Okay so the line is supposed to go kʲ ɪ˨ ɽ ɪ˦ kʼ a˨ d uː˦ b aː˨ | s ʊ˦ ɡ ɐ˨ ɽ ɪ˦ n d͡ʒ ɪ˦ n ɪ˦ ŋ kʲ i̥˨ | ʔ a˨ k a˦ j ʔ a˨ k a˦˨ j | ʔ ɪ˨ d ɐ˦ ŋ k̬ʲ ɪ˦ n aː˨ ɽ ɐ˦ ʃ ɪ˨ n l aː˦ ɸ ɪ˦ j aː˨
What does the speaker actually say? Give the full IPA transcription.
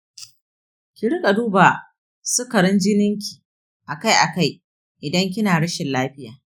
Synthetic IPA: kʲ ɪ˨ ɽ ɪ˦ kʼ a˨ d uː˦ b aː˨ | s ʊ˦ k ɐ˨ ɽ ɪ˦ n d͡ʒ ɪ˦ n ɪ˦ ŋ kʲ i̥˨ | ʔ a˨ k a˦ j ʔ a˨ k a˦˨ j | ʔ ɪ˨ d ɐ˦ ŋ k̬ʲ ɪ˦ n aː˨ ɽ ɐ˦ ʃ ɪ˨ n l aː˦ ɸ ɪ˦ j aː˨